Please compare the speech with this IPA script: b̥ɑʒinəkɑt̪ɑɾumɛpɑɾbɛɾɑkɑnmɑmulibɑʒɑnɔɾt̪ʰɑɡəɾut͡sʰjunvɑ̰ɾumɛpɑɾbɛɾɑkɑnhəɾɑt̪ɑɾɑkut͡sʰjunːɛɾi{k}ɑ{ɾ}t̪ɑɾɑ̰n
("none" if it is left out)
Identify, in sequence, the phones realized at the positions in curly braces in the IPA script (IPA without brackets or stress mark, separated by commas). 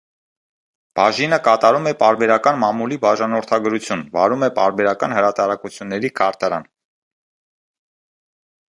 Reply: kʰ, ɾ